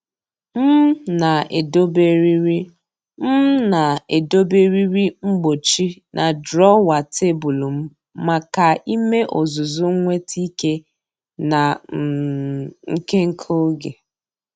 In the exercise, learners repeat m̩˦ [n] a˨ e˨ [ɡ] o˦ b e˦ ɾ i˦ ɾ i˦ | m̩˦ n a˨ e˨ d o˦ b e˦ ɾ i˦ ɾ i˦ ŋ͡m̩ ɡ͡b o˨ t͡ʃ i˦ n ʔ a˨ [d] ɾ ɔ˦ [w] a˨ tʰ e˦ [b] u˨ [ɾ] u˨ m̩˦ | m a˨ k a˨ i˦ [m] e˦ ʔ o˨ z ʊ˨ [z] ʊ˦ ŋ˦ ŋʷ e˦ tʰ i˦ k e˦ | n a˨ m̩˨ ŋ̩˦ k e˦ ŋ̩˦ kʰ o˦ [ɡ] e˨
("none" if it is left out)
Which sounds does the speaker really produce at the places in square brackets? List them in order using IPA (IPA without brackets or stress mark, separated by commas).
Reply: n, d, d, w, b, l, m, z, ɡ